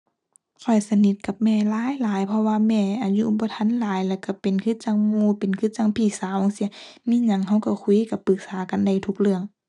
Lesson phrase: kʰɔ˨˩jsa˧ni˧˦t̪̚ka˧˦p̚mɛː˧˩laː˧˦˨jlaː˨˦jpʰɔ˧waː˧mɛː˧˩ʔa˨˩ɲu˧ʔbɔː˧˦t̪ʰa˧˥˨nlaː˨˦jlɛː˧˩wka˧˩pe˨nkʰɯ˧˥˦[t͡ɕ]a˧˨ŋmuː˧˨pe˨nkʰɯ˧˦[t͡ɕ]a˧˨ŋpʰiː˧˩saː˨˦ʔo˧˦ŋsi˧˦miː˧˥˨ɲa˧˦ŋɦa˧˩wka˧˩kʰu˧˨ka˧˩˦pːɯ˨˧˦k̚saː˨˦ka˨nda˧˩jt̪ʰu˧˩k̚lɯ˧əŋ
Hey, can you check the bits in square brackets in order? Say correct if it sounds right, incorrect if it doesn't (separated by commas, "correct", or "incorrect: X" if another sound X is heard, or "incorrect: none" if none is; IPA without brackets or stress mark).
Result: correct, correct